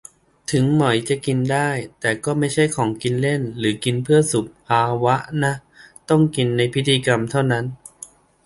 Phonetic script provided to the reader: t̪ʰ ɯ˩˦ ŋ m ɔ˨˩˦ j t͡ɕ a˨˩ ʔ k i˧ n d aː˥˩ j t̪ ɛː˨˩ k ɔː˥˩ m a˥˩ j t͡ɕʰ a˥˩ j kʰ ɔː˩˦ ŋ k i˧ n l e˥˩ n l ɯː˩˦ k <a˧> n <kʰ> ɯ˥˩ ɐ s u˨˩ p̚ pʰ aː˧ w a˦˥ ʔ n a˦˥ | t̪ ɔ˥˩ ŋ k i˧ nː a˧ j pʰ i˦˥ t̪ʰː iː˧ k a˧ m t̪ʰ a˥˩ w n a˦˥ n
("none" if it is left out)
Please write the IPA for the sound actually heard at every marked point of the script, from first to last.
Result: i˧, pʰ

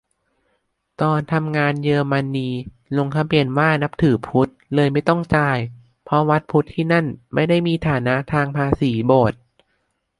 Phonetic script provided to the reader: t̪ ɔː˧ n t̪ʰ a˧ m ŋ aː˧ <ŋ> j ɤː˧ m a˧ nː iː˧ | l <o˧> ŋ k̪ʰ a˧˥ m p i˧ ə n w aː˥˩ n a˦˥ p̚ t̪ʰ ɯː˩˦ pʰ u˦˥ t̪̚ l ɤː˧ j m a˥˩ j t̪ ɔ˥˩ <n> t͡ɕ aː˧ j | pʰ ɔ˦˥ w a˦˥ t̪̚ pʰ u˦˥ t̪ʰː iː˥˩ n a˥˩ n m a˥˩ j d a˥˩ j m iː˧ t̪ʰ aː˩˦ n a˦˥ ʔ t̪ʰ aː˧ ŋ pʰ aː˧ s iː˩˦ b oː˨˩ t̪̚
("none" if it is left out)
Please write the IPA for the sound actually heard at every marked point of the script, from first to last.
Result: n, o˧, ŋ

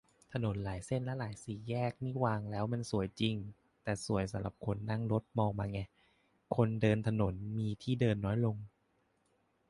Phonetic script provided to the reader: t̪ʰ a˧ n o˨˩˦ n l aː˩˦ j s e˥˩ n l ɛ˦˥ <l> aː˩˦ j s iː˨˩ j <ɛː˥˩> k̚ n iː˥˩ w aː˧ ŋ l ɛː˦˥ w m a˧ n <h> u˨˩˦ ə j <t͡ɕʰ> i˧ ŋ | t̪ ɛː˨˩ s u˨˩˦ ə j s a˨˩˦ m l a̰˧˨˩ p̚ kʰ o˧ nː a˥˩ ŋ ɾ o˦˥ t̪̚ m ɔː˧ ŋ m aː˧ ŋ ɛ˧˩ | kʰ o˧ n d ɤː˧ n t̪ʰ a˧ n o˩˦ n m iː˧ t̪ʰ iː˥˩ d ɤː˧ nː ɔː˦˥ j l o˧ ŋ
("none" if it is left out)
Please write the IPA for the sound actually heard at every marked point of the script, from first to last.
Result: l, ɛː˥˩, s, t͡ɕ

